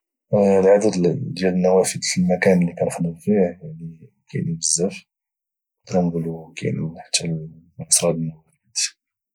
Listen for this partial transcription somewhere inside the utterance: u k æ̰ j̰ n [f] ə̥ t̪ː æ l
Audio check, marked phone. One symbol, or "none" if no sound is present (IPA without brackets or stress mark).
ħ